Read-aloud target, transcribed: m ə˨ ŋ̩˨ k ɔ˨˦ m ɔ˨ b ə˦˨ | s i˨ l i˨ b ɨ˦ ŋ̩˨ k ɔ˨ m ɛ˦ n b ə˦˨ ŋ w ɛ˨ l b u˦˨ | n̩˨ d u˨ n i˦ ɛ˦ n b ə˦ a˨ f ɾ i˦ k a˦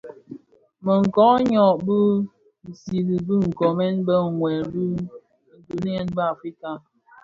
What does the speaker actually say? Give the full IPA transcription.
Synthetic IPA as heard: m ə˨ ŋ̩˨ k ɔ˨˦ ɲ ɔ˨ b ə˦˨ | s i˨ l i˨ b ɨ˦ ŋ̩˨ k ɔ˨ m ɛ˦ n b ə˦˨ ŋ w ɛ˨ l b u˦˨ | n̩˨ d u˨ n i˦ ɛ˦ n b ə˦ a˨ f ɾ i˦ k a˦

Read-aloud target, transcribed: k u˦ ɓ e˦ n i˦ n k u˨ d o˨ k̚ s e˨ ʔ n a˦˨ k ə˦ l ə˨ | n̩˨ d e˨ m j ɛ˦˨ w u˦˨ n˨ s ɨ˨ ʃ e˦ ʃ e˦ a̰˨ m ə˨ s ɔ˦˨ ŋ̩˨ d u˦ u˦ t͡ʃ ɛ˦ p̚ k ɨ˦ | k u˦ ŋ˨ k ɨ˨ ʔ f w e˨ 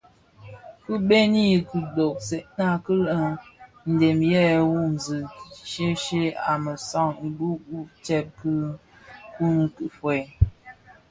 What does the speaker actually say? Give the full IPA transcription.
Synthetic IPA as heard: k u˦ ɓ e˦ n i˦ k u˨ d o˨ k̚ s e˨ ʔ n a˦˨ k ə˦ l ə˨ | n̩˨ d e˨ m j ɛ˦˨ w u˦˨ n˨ z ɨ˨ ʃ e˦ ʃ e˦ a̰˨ m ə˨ s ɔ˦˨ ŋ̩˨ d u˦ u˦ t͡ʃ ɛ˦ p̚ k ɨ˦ | k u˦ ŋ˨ k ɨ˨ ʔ f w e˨

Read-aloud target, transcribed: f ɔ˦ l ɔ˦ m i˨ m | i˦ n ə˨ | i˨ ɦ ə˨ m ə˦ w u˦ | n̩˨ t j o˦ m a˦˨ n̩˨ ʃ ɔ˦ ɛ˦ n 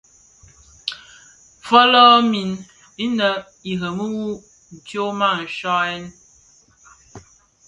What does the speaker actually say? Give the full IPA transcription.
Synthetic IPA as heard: f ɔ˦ l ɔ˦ m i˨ n | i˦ n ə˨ | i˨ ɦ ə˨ m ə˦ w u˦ | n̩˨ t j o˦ m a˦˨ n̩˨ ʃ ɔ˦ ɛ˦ n

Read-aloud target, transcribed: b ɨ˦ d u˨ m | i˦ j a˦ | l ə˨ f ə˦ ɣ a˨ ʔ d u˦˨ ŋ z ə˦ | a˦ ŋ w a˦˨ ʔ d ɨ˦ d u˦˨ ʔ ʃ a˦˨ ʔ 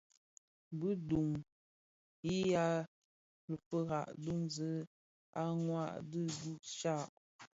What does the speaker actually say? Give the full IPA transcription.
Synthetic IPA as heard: b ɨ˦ d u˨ ŋ | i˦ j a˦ | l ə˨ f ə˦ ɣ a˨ ʔ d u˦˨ ŋ z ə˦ | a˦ ŋ w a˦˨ ʔ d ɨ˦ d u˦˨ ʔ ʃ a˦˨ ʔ

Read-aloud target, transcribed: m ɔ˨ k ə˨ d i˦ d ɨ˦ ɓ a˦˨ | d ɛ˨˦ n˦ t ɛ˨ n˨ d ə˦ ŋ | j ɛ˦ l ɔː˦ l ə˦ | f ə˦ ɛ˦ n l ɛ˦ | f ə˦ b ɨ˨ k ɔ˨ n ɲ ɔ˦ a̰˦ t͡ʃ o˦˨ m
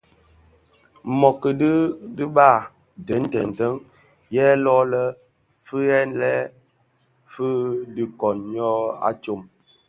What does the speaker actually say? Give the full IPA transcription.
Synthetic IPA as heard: m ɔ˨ k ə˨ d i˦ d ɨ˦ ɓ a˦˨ | d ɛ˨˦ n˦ t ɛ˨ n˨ t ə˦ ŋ | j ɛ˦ l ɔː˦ l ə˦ | f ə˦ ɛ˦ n l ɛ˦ | f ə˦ d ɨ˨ k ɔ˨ n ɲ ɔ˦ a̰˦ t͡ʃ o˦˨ m

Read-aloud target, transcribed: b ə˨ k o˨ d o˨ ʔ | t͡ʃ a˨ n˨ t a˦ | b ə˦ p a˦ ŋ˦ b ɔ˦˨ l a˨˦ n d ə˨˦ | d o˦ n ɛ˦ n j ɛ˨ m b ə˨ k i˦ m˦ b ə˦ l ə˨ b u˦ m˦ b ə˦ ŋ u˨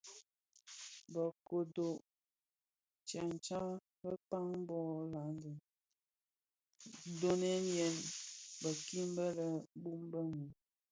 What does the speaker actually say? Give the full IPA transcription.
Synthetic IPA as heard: b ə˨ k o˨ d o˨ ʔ | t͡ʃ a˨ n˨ t͡ʃ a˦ | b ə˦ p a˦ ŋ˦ b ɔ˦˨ l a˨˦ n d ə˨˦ | d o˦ n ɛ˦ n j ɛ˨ n b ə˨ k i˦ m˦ b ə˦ l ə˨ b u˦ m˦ b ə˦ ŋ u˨

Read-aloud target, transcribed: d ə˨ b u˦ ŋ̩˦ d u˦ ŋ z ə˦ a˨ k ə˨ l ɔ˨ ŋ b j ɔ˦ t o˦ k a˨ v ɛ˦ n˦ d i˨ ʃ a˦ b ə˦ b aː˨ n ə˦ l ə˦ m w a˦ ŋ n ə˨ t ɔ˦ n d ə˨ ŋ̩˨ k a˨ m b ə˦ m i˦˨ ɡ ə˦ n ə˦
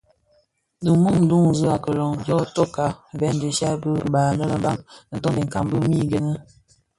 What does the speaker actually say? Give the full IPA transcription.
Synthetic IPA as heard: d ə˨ m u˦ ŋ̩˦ d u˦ ŋ z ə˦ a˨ k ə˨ l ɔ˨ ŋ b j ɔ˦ t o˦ k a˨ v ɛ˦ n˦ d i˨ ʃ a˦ b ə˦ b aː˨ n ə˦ l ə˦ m b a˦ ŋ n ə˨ t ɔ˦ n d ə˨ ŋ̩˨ k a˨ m b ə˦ m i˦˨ ɡ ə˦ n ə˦

